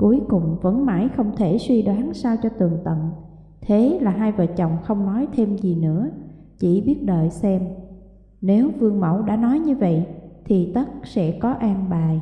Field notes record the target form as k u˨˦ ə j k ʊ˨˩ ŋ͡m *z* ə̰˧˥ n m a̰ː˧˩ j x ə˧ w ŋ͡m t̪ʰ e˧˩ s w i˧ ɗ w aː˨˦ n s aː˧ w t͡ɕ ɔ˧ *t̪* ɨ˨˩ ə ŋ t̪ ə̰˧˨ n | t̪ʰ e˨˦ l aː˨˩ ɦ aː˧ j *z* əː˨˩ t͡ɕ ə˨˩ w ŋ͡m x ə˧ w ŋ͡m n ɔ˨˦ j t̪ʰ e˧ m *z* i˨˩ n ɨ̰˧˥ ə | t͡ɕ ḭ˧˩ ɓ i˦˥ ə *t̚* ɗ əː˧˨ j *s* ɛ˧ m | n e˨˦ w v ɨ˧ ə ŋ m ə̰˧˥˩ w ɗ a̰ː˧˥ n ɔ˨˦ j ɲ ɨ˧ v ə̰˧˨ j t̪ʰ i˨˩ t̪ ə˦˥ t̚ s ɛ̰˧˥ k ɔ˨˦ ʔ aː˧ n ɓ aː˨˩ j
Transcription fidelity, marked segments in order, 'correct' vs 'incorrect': incorrect: v, correct, incorrect: v, correct, correct, correct

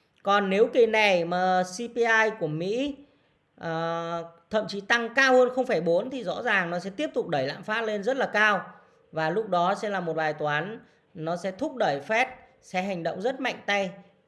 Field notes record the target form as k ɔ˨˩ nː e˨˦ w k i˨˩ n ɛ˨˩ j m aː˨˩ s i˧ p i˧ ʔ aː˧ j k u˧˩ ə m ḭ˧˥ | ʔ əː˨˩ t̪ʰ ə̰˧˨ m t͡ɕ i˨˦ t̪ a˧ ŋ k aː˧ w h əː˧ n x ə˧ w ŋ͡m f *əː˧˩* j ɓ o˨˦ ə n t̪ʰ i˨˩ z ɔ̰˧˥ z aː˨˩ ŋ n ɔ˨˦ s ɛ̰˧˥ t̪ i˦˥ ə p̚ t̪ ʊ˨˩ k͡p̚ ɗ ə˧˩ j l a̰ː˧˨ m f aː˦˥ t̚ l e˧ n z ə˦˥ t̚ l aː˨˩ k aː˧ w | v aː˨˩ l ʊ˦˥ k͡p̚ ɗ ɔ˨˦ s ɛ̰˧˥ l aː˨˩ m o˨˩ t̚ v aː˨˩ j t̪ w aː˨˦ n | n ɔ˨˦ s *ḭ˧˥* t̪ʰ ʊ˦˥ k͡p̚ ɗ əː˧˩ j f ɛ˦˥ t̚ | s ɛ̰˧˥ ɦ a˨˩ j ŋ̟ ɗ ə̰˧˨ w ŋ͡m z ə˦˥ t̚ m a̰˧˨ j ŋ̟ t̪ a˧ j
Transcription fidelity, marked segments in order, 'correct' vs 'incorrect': incorrect: aː˧˩, incorrect: ɛ̰˧˥

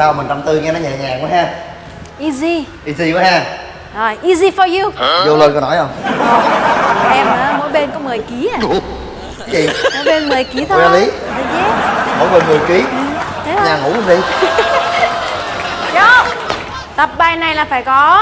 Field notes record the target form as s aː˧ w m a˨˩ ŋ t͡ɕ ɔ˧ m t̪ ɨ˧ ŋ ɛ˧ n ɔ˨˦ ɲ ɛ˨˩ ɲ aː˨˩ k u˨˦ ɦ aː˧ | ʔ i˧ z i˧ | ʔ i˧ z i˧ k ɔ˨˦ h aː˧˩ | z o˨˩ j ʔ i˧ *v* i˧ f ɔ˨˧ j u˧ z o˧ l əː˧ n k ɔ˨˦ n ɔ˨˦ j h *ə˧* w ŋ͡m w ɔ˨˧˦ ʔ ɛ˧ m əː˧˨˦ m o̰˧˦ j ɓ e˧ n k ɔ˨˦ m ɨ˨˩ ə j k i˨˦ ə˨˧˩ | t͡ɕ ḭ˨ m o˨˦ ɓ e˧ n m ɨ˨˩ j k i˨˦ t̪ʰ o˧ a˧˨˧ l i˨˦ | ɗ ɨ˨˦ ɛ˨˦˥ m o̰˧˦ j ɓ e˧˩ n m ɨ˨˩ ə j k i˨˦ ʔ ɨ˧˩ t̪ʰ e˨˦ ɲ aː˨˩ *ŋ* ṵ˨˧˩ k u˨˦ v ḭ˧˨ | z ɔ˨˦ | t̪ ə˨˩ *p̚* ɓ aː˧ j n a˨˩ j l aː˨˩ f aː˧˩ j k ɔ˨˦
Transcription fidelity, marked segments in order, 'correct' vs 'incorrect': incorrect: z, correct, correct, correct

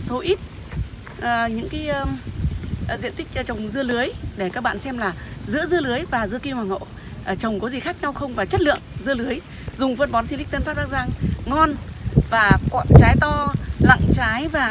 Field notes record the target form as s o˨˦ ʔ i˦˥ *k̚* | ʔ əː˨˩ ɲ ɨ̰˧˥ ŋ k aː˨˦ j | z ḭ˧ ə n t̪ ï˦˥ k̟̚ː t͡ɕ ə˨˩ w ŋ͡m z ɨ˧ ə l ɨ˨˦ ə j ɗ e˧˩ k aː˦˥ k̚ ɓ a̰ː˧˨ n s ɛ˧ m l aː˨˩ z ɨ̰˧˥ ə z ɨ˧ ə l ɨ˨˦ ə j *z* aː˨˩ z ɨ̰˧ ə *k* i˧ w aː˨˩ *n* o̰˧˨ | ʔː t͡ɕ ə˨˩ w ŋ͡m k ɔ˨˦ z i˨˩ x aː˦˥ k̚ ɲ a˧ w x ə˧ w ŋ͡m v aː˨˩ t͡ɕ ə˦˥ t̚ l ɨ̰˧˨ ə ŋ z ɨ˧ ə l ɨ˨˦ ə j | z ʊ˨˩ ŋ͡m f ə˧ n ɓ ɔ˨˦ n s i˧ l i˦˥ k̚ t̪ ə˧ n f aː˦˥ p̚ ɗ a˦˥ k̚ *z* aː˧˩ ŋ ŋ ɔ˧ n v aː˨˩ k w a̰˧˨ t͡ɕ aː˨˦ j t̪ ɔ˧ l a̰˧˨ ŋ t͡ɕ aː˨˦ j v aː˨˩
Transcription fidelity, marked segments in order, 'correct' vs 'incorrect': incorrect: t̚, incorrect: v, correct, incorrect: ŋ, correct

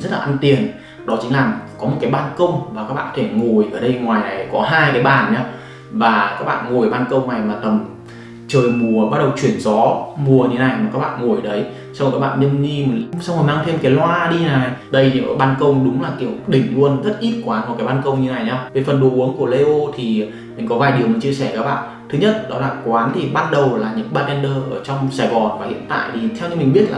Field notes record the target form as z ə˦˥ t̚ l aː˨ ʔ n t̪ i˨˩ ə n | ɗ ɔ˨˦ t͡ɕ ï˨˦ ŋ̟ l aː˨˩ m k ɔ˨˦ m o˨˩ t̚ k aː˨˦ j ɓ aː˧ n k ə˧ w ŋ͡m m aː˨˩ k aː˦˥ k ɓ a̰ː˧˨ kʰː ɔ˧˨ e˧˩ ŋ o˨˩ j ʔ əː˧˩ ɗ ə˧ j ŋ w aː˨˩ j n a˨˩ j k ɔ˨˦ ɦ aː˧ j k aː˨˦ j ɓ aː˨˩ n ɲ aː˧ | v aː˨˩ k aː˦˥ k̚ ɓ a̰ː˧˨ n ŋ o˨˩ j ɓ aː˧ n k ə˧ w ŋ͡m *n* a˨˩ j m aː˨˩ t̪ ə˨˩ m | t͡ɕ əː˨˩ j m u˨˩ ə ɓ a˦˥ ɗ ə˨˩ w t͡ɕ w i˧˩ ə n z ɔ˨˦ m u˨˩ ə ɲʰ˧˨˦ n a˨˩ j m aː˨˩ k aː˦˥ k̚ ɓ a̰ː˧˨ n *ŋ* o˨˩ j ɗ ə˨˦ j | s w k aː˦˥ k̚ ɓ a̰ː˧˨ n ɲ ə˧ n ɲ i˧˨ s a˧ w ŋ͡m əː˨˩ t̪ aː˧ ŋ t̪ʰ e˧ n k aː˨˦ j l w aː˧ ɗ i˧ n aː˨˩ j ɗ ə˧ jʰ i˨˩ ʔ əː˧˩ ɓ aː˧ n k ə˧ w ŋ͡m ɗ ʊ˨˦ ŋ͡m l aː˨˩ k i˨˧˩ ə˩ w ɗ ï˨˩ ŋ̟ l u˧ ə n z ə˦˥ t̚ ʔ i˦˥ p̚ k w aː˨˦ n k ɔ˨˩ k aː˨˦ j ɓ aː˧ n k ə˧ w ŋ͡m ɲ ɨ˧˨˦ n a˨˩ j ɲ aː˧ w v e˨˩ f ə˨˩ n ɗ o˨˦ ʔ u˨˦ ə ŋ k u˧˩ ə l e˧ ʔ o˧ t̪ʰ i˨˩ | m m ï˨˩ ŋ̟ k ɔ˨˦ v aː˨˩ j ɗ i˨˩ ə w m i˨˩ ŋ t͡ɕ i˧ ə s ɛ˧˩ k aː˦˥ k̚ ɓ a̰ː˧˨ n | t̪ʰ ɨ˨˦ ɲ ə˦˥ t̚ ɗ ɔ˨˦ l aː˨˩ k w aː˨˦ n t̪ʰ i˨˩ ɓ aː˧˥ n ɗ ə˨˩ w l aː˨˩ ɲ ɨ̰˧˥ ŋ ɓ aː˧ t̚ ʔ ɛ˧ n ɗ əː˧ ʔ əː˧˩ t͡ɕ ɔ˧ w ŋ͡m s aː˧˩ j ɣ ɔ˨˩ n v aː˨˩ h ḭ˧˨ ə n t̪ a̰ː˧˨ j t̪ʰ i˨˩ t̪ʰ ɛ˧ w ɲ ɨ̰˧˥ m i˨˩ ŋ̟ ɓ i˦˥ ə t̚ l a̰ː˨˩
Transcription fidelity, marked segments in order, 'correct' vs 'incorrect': correct, correct

